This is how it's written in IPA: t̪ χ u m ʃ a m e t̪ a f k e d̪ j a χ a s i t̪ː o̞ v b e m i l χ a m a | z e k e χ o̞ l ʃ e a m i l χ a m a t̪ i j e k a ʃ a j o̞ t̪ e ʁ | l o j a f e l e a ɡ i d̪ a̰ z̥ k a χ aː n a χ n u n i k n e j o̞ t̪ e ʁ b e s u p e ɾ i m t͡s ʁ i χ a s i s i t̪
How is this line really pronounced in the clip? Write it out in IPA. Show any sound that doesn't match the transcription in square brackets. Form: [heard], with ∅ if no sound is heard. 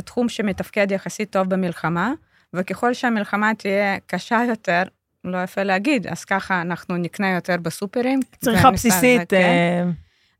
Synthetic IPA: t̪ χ u m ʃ [e] m e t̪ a f k e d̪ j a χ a s i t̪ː o̞ v b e m i l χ a m a | [v] e k e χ o̞ l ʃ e a m i l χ a m a t̪ i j e k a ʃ a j o̞ t̪ e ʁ | l o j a f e l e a ɡ i d̪ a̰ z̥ k a χ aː n a χ n u n i k n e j o̞ t̪ e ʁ b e s u p e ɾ i m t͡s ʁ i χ a s i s i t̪